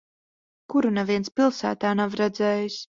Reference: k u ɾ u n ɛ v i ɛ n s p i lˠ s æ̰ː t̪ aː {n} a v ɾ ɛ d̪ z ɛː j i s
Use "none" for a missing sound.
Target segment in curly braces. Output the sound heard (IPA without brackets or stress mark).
n